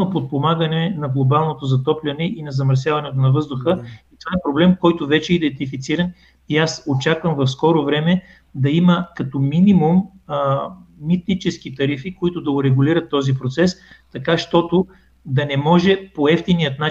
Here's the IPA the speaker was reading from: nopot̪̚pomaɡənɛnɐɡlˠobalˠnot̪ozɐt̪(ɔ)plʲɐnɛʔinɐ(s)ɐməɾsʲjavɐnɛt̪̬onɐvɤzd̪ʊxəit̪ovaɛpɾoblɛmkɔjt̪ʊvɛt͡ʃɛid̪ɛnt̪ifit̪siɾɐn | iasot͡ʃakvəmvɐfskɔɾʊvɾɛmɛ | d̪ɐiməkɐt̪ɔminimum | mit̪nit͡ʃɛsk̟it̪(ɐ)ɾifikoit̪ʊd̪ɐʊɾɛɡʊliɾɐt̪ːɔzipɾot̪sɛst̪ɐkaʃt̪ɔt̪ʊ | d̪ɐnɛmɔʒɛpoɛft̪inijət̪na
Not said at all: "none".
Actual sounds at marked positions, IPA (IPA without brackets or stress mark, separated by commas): ɔ, z, ɐ